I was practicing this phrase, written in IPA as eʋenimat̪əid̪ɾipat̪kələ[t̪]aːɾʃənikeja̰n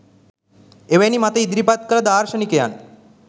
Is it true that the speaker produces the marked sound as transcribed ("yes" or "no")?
no